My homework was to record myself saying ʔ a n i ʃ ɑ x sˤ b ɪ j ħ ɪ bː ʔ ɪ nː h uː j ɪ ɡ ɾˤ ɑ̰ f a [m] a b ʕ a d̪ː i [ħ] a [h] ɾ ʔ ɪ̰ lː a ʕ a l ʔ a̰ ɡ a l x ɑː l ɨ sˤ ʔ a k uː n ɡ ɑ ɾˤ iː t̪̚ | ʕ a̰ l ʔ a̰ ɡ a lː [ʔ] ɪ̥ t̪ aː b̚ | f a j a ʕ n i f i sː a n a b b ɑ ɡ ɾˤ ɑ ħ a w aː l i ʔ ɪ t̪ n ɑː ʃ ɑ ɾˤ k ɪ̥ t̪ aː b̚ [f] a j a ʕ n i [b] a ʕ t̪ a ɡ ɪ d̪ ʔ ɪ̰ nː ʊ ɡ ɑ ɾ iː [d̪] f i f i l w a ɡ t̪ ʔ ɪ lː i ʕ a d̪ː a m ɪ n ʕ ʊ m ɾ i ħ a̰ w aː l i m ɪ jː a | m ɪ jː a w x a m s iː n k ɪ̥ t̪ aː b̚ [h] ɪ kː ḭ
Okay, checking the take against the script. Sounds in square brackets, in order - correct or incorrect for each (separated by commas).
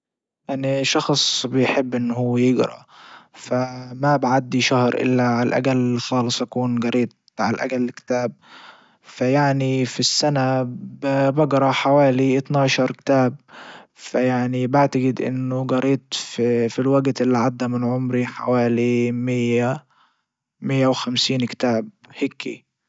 correct, incorrect, correct, incorrect, correct, correct, incorrect, correct